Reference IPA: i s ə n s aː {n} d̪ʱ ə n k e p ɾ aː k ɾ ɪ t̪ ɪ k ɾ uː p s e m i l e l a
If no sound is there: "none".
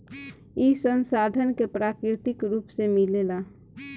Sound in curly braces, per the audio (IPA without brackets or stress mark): none